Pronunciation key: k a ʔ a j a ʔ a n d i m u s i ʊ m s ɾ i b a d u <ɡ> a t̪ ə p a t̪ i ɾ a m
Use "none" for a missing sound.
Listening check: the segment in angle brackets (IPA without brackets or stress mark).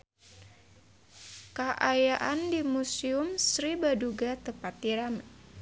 ɡ